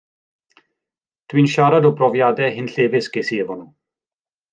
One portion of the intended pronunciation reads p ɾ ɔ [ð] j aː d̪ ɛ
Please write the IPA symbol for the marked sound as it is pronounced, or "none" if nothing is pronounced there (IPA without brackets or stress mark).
v